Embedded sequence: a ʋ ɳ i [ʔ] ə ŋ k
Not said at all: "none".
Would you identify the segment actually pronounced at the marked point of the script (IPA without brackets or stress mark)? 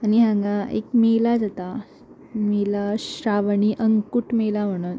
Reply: ʔ